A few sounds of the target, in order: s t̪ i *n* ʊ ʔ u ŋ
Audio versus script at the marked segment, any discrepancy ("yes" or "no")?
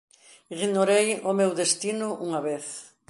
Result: no